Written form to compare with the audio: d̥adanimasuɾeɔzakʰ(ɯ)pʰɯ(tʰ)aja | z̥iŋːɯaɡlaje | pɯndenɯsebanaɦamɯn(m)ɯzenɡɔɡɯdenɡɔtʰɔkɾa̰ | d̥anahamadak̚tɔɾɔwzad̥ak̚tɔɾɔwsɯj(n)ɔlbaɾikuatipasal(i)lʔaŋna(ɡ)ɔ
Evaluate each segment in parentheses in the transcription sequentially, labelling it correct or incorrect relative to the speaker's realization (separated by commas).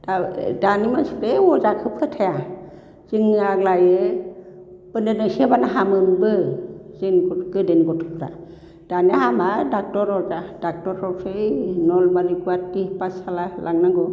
correct, correct, incorrect, correct, incorrect, correct